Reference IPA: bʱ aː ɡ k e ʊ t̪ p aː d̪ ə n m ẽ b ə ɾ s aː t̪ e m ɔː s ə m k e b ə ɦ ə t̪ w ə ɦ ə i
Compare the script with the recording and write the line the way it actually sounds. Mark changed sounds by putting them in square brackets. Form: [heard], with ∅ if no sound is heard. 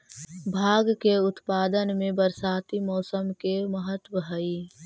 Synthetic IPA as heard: bʱ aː ɡ k e ʊ t̪ p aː d̪ ə n m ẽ b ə ɾ s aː t̪ [i] m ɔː s ə m k e [m] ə ɦ ə t̪ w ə ɦ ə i